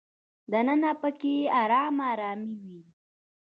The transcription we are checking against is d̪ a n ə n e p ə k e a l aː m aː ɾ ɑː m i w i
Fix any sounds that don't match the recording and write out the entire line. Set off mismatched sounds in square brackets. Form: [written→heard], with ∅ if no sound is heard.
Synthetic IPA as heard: d̪ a n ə n [e→a] p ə k e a [l→ɾ] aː m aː ɾ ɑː m i w i